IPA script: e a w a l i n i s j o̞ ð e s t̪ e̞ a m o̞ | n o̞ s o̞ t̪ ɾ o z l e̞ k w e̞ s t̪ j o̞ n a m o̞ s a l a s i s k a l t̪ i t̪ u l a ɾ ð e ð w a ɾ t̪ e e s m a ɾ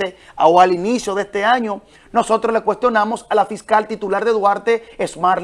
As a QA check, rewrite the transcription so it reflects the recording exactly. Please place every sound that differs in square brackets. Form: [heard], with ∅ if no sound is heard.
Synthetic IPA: e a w a l i n i s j o̞ ð e s t̪ e̞ a [ɲ] o̞ | n o̞ s o̞ t̪ ɾ o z l e̞ k w e̞ s t̪ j o̞ n a m o̞ s a l a [f] i s k a l t̪ i t̪ u l a ɾ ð e ð w a ɾ t̪ e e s m a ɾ